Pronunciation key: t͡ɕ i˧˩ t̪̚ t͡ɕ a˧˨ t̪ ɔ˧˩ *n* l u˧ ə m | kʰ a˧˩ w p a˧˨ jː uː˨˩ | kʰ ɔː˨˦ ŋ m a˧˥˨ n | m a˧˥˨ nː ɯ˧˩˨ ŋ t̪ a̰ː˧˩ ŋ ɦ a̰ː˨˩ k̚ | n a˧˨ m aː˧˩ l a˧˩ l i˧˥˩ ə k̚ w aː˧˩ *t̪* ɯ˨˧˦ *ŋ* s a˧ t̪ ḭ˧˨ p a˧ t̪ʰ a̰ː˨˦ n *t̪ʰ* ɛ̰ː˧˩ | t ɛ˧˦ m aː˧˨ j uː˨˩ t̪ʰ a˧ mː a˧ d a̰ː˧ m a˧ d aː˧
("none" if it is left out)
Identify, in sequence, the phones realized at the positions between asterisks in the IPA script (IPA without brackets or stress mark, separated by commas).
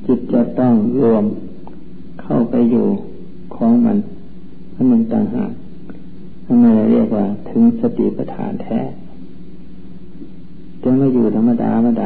ŋ, t̪ʰ, ŋ, t̪ʰ